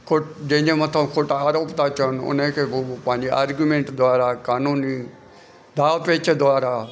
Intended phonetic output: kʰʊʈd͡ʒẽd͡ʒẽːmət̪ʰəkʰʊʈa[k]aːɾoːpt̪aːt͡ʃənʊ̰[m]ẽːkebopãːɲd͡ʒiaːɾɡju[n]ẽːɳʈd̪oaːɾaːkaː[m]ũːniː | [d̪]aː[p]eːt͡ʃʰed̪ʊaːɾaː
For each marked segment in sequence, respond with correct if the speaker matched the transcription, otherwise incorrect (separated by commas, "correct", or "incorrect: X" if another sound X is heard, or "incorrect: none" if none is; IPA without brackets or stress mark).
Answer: incorrect: none, incorrect: n, incorrect: m, incorrect: n, correct, correct